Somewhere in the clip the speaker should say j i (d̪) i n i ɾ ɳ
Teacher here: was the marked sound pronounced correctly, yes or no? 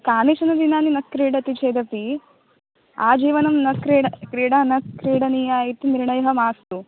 no